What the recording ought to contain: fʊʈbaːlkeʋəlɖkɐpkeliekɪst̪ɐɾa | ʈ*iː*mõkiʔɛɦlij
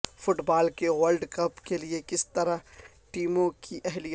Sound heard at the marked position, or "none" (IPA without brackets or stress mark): iː